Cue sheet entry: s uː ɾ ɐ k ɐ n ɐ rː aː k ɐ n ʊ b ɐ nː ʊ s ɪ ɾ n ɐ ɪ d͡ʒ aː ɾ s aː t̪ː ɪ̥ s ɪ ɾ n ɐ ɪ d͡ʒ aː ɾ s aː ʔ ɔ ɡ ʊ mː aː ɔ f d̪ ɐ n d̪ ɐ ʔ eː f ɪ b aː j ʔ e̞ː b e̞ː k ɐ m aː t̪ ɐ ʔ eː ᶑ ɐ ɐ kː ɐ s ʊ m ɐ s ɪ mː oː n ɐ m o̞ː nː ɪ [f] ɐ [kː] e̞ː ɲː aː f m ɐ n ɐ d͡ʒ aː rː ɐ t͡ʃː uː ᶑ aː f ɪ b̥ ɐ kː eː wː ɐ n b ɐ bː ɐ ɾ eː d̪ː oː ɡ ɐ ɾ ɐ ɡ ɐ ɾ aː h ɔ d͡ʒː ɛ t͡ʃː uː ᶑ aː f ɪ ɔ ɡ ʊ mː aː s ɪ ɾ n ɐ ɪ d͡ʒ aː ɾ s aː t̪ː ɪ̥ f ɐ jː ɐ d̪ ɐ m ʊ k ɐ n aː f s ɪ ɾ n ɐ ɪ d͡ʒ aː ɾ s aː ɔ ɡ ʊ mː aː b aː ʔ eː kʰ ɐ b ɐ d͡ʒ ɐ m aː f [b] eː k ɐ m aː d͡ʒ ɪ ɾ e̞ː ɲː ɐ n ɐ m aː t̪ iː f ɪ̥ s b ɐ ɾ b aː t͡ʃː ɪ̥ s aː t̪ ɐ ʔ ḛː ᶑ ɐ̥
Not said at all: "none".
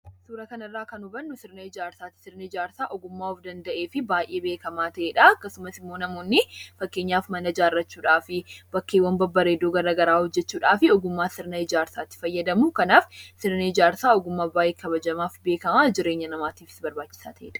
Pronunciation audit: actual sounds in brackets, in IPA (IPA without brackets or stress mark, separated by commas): f, kː, b